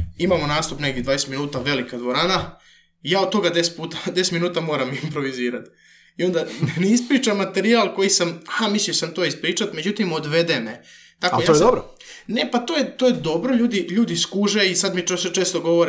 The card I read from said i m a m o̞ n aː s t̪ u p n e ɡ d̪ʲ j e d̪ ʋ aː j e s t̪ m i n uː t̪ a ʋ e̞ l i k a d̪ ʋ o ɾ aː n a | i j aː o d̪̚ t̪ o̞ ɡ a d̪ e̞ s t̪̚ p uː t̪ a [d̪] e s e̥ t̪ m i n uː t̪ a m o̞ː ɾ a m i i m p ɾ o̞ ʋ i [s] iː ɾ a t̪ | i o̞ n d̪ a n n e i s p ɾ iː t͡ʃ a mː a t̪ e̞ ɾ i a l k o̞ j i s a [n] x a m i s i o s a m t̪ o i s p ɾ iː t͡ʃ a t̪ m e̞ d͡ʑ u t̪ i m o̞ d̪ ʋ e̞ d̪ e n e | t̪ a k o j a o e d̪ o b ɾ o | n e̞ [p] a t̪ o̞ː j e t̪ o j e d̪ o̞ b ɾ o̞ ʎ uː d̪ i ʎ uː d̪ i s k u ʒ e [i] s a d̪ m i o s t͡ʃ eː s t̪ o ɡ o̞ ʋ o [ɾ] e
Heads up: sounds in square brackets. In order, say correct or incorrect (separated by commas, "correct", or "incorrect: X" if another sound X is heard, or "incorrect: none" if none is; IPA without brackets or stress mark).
correct, incorrect: z, incorrect: m, correct, correct, correct